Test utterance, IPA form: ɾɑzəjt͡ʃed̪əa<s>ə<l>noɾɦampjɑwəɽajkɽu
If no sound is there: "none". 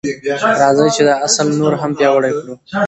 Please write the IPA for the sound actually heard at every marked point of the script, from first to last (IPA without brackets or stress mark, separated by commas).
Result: s, l